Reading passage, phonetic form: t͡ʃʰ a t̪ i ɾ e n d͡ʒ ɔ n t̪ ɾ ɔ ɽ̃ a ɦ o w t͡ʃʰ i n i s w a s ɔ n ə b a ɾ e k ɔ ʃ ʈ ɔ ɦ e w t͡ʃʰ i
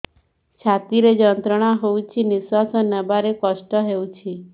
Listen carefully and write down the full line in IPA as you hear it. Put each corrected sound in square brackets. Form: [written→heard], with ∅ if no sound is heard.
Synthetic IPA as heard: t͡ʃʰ a t̪ i ɾ e [n→∅] d͡ʒ ɔ n t̪ ɾ ɔ ɽ̃ a ɦ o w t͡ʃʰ i n i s w a s ɔ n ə b a ɾ e k ɔ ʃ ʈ ɔ ɦ e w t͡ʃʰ i

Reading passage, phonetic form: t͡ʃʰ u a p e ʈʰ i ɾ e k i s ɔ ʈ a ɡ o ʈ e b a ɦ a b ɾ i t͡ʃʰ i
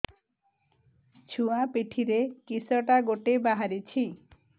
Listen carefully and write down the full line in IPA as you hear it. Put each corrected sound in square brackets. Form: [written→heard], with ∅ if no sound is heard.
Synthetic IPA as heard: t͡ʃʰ u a p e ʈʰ i ɾ e k i s ɔ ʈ a ɡ o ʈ e b a ɦ a [b→∅] ɾ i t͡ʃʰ i

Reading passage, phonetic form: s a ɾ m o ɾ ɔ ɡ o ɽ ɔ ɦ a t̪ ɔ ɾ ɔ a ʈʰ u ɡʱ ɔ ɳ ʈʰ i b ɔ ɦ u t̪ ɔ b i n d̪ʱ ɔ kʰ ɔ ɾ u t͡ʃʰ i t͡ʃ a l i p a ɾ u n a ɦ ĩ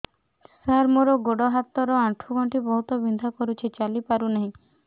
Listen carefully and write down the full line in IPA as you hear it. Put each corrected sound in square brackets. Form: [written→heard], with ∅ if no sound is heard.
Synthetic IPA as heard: s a ɾ m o ɾ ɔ ɡ o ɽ ɔ ɦ a t̪ ɔ ɾ ɔ a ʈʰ u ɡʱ ɔ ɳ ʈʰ i b ɔ ɦ u t̪ ɔ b i n d̪ʱ ɔ [kʰ→k] ɔ ɾ u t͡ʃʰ i t͡ʃ a l i p a ɾ u n a ɦ ĩ

